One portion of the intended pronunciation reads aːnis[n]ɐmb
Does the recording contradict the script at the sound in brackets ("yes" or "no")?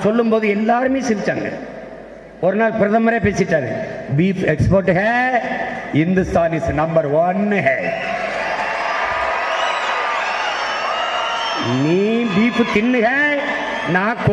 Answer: no